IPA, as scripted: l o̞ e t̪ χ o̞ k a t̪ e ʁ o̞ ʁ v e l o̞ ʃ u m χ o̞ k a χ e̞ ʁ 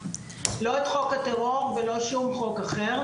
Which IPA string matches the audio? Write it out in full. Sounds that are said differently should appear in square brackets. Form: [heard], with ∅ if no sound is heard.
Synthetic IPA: l o̞ e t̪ χ o̞ k a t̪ e ʁ o̞ ʁ v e l o̞ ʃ u m χ o̞ k a χ e̞ ʁ